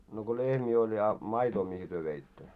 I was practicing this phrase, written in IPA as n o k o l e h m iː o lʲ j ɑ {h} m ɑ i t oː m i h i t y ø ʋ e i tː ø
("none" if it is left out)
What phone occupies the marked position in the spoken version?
none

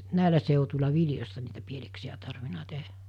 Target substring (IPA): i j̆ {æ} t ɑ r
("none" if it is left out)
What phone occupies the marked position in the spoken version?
æ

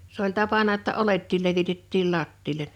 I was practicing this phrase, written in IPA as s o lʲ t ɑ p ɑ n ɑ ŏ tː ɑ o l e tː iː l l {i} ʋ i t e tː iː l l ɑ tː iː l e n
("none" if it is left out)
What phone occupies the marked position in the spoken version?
e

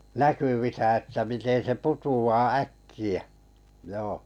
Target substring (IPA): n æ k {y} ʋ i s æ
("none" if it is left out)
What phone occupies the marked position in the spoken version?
y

